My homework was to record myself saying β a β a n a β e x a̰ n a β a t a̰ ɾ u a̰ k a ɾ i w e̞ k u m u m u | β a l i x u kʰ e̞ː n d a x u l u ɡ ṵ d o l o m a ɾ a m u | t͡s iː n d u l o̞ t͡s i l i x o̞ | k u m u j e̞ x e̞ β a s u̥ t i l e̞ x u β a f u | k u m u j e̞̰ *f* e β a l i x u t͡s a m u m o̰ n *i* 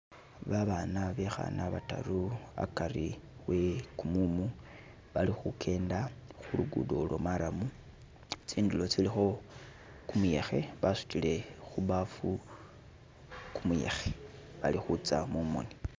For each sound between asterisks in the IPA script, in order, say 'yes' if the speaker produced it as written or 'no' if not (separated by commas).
no, yes